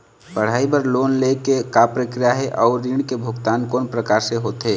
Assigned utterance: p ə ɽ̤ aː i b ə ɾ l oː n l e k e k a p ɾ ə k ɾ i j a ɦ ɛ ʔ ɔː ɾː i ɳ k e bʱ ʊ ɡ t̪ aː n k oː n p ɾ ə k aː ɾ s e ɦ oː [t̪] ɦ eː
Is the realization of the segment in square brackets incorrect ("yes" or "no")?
no